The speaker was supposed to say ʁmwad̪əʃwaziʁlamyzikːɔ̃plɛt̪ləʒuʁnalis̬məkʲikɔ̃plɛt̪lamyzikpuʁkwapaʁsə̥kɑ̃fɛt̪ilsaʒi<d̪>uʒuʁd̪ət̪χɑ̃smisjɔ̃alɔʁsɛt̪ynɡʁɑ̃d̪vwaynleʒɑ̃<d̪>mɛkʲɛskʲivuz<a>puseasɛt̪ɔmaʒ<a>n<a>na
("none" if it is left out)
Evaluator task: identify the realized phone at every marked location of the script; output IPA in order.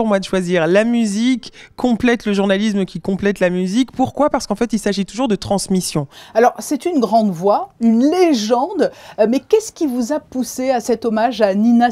t̪, d̪, a, a, i

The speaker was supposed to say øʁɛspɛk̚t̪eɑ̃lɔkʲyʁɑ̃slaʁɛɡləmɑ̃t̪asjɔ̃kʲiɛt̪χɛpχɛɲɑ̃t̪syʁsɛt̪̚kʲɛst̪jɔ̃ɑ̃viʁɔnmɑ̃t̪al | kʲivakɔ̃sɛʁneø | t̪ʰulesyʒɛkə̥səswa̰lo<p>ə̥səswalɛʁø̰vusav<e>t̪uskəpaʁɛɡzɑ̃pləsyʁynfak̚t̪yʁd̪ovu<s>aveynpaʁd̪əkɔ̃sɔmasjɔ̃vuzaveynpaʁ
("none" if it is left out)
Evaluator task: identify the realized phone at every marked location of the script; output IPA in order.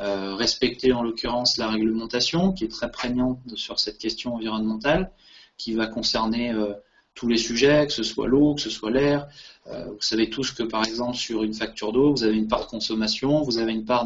k, e, z

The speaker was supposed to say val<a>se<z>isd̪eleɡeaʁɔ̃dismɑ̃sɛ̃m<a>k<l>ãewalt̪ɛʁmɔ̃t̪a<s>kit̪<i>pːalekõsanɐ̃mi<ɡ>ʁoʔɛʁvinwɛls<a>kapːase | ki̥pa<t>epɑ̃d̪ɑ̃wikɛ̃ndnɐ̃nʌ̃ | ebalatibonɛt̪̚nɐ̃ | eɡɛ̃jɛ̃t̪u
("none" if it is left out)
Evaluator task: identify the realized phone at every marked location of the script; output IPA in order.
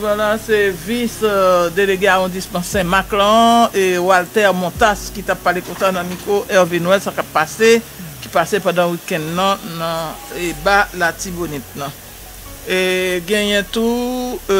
a, v, a, l, s, a, k, a, s

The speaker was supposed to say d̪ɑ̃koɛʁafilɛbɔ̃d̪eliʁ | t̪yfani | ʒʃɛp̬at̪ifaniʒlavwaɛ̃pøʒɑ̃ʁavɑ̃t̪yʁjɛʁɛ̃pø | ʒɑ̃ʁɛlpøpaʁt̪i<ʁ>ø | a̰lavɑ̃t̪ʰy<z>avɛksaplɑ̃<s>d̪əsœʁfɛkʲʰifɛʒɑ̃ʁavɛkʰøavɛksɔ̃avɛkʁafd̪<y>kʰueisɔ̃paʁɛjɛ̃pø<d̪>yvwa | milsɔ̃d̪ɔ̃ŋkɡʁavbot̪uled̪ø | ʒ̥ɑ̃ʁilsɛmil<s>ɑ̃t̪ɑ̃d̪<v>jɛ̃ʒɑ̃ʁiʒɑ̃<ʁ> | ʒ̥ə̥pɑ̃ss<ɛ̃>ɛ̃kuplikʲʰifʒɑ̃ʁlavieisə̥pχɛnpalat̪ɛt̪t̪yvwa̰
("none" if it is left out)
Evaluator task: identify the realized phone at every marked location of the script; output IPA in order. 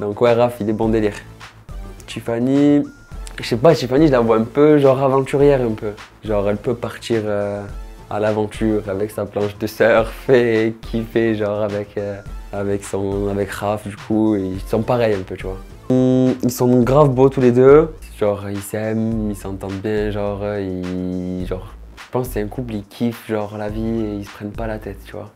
ʁ, ʁ, ʃ, y, t̪, s, b, ʁ, ɛ

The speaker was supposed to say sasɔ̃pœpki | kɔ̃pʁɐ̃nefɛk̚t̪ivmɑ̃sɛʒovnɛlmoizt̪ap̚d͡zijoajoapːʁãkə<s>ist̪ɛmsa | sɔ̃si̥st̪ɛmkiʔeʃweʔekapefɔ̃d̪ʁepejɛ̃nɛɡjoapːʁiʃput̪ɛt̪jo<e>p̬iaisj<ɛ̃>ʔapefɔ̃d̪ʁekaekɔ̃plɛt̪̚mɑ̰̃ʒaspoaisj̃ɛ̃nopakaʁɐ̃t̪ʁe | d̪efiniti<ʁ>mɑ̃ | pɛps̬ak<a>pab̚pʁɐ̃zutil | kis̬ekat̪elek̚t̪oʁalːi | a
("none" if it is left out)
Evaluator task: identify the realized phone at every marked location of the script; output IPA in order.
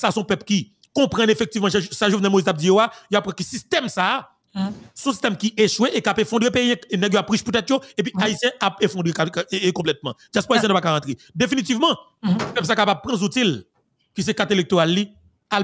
s, e, ɛ̃, v, a

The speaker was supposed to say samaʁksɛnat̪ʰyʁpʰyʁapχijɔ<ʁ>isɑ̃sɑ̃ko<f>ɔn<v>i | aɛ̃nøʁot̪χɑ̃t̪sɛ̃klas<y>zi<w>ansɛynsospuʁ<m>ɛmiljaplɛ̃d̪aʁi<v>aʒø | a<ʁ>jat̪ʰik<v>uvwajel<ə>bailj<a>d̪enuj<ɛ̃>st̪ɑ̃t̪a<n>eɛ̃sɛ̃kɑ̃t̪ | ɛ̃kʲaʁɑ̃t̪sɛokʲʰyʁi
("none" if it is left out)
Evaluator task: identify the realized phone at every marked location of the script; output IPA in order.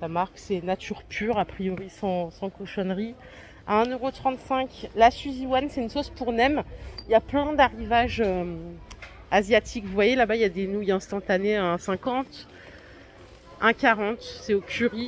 ʁ, ʃ, ʁ, y, w, n, v, z, v, a, a, ɛ̃, n

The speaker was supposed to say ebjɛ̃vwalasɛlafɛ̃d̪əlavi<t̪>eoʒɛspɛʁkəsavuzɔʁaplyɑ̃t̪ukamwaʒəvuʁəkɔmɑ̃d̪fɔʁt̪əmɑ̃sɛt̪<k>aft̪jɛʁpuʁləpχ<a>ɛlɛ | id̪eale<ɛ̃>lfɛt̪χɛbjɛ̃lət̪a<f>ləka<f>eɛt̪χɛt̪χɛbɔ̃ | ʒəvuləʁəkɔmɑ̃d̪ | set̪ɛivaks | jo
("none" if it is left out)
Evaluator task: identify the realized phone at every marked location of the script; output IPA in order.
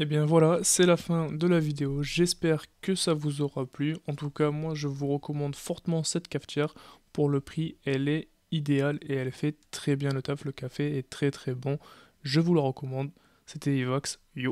d̪, k, i, ɛ, f, f

